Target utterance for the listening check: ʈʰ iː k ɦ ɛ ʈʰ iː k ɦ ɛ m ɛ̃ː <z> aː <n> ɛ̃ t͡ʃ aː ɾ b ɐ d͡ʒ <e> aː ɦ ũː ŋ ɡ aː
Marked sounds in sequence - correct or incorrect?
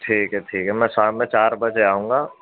incorrect: s, incorrect: m, correct

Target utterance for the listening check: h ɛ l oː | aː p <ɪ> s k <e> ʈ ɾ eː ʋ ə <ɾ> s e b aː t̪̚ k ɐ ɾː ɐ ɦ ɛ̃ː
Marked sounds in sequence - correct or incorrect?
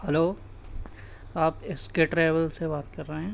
correct, correct, incorrect: l

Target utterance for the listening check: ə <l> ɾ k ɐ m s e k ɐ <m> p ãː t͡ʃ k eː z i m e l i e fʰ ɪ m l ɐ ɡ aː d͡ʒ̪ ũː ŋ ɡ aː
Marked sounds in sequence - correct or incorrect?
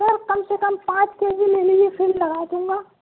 incorrect: none, correct

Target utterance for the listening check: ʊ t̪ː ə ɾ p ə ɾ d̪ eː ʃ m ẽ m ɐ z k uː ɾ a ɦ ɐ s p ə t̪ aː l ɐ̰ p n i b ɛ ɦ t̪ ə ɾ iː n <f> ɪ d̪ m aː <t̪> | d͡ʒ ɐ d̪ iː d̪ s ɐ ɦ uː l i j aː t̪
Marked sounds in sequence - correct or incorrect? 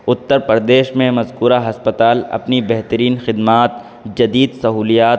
incorrect: x, correct

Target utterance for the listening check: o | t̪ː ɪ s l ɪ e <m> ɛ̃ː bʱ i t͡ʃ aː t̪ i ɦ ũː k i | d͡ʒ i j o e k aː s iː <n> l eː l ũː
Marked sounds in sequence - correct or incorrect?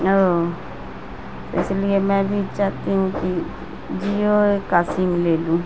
correct, incorrect: m

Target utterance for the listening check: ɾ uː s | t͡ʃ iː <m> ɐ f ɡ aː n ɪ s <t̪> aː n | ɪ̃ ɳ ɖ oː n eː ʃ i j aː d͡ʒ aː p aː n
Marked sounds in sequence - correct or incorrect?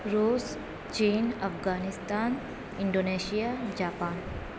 incorrect: n, correct

